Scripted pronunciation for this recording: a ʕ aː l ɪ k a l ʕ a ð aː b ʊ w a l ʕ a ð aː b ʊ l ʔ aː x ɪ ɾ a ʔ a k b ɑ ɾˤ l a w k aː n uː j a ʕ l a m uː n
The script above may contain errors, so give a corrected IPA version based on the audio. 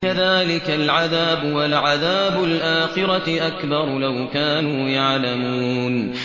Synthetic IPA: a ð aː l ɪ k a l ʕ a ð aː b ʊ w a l ʕ a ð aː b ʊ l ʔ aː x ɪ ɾ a ʔ a k b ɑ ɾˤ l a w k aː n uː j a ʕ l a m uː n